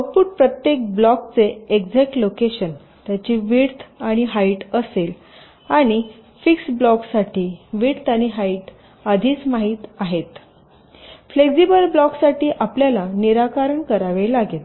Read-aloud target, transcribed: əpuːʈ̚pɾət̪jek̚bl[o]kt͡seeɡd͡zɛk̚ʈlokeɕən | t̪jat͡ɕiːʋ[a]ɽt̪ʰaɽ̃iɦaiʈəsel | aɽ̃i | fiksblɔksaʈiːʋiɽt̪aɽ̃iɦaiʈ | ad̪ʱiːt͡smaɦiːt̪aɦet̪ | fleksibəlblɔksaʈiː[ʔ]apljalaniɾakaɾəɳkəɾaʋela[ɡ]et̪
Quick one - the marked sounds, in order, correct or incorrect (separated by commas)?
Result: incorrect, incorrect, correct, correct